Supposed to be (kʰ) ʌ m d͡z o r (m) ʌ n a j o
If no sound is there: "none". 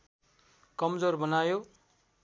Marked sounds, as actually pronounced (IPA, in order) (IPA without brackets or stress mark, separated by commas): k, b